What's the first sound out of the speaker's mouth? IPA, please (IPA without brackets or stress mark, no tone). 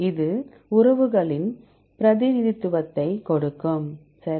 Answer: ɪ